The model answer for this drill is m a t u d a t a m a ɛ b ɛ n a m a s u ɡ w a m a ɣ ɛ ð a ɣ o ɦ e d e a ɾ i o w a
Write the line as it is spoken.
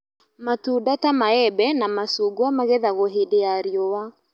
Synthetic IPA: m a t u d a t a m a ɛ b ɛ n a m a s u ɡ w a m a ɣ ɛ ð a ɣ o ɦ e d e a ɾ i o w a